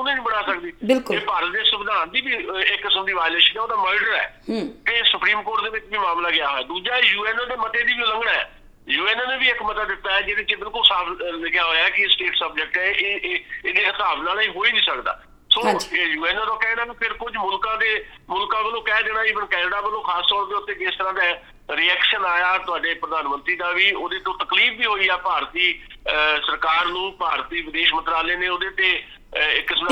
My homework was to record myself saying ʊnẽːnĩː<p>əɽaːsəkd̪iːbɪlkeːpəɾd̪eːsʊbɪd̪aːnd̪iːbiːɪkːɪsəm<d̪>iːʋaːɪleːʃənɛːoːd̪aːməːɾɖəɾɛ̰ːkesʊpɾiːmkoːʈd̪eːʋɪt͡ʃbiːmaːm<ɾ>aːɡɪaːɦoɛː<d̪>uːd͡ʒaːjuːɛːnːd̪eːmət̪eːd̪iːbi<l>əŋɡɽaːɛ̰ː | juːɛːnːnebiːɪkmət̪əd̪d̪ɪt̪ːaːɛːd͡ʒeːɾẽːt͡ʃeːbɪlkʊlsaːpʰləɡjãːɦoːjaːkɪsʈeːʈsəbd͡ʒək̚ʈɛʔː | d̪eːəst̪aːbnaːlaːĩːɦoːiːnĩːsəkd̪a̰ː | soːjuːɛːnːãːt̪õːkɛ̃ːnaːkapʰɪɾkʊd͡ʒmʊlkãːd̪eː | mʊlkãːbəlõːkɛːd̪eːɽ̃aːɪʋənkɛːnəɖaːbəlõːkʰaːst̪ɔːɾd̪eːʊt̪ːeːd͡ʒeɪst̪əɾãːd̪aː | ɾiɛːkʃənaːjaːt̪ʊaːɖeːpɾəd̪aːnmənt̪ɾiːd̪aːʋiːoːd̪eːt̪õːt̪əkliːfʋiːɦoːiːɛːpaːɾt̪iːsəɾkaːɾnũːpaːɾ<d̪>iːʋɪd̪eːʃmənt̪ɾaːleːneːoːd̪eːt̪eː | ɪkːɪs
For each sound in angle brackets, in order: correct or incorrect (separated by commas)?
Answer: incorrect, correct, incorrect, correct, correct, incorrect